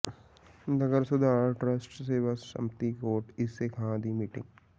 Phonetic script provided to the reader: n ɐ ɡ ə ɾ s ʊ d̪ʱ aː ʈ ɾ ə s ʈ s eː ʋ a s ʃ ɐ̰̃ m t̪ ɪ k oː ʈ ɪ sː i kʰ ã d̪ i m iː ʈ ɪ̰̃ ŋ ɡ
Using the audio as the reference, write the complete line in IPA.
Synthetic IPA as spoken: n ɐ ɡ ə ɾ s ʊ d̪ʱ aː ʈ ɾ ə s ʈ s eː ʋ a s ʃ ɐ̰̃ m t̪ i k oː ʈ ɪ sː e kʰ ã d̪ i m iː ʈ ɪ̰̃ ŋ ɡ